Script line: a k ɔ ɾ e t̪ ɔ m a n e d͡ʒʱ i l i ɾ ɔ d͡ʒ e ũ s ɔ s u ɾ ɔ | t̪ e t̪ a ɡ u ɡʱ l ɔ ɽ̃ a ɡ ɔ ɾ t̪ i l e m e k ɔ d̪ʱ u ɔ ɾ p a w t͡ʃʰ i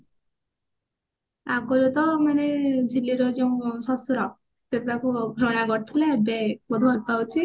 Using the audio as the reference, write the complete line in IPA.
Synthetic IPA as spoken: a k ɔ ɾ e t̪ ɔ m a n e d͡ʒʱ i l i ɾ ɔ d͡ʒ e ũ s ɔ s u ɾ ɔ | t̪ e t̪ a k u ɡʱ ɾ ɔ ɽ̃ a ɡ ɔ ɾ t̪ʰ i l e b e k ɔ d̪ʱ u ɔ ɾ p a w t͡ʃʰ i